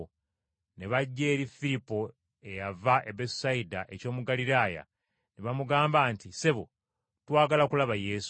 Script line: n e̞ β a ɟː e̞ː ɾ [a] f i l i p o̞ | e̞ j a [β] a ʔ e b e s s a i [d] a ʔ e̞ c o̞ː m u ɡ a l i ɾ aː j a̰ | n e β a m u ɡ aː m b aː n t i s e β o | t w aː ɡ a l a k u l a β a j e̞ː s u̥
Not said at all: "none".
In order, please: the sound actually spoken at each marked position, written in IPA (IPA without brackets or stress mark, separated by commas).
i, v, d